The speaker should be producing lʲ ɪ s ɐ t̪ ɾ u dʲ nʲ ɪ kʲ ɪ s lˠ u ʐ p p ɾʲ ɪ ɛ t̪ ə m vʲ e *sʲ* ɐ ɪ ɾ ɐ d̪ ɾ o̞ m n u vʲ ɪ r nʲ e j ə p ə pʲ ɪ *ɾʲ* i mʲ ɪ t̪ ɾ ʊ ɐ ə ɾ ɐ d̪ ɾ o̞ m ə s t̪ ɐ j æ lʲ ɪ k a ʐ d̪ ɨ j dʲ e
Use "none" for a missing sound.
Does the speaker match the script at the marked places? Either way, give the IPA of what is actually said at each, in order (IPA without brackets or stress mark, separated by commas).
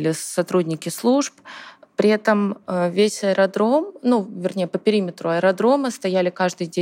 sʲ, ɾʲ